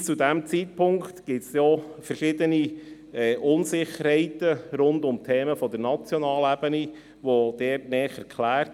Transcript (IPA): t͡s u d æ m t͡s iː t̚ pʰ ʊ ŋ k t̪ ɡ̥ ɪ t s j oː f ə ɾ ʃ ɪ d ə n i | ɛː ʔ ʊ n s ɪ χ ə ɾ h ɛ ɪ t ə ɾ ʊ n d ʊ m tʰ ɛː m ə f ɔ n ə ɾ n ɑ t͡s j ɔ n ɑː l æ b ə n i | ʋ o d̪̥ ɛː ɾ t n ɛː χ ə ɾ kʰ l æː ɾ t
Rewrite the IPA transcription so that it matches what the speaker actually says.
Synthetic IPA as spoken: t͡s u d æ m t͡s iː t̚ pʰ ʊ ŋ k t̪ ɡ̥ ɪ t s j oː f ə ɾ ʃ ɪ d ə n i | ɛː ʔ ʊ n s ɪ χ ə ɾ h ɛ ɪ t ə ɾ ʊ n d ʊ m tʰ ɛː m ə f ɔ d ə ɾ n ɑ t͡s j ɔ n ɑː l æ b ə n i | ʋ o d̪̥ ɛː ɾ t n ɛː χ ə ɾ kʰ l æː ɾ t

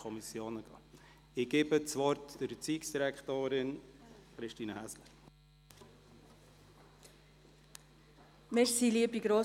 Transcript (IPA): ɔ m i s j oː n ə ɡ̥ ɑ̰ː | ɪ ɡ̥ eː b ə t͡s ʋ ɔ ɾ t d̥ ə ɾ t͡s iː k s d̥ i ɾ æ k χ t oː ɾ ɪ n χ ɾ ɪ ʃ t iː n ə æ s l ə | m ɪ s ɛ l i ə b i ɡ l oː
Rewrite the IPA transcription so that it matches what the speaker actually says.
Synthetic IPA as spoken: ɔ m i s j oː n ə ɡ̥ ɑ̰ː | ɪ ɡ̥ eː b ə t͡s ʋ ɔ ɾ t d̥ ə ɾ t͡s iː k s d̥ i ɾ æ k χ t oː ɾ ɪ n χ ɾ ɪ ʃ t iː n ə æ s l ə | m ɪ s i l i ə b i ɡ ɾ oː

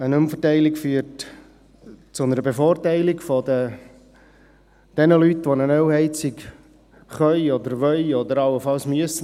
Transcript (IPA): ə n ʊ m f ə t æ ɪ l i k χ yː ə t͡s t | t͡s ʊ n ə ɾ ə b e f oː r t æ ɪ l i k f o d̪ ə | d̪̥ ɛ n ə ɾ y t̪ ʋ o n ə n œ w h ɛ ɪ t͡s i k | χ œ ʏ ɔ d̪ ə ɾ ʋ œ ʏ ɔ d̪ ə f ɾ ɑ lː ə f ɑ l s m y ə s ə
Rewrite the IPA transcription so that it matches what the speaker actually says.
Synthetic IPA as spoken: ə n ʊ m f ə t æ ɪ l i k f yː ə t | t͡s ʊ n ə ɾ ə b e f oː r t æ ɪ l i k f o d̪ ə | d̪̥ ɛ n ə l y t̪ ʋ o n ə n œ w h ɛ ɪ t͡s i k | χ œ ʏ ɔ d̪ ə ɾ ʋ œ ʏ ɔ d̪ ə ɾ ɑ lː ə f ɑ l s m y ə s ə

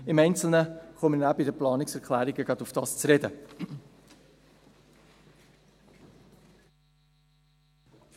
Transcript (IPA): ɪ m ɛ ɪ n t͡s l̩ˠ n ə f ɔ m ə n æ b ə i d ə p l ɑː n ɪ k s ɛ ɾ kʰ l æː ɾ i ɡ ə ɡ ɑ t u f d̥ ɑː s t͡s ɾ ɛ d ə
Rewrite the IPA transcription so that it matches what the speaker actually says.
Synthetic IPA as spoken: ɪ m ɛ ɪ n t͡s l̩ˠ n ə χ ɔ m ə n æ b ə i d ə p l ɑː n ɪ k s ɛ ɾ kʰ l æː ɾ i ɡ ə ɡ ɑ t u f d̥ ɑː s t͡s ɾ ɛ d ə

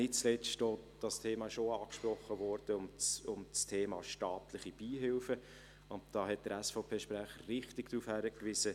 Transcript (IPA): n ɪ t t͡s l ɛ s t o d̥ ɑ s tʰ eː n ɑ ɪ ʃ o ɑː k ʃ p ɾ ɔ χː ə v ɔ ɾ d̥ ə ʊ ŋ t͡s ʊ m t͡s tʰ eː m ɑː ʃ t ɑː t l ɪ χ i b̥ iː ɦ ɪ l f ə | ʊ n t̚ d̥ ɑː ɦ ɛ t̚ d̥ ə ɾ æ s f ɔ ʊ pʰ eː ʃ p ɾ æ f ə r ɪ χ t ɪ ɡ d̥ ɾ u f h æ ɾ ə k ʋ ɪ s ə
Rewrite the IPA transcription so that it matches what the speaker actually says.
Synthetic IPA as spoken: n ɪ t t͡s l ɛ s t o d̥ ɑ s tʰ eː m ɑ ɪ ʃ o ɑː k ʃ p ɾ ɔ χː ə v ɔ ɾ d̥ ə ʊ m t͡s ʊ m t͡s tʰ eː m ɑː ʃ t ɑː t l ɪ χ i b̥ iː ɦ ɪ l f ə | ʊ n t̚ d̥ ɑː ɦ ɛ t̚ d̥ ə ɾ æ s f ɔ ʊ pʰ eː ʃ p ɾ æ χ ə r ɪ χ t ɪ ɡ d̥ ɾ u f h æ ɾ ə k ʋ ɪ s ə

